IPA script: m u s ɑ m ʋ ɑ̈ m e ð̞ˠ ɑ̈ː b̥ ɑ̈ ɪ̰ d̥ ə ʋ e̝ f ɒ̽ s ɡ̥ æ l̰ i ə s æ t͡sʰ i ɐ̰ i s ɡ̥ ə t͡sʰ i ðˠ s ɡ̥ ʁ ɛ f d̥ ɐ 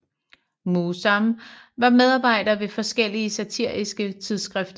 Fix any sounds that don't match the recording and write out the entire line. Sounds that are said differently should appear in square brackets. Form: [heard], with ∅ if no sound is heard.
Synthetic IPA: m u s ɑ m ʋ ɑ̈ m e ð̞ˠ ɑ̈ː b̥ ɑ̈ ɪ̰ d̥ [ɐ] ʋ e̝ f ɒ̽ s ɡ̥ [e] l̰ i ə s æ t͡sʰ i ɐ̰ i s ɡ̥ ə t͡sʰ i ðˠ s ɡ̥ ʁ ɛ f d̥ ɐ